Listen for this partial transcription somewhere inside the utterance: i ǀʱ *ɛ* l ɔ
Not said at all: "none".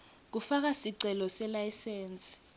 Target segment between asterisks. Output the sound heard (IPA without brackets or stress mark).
ɛ